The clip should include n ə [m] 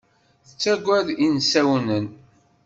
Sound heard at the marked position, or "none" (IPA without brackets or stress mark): n